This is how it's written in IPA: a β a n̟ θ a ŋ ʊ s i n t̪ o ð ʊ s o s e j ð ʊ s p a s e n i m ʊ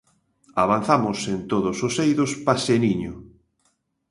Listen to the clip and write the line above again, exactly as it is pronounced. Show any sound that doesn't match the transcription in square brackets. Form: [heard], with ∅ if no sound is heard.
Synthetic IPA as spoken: a β a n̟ θ a [m] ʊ s [e] n t̪ o ð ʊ s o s e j ð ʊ s p a s e n i [ɲ] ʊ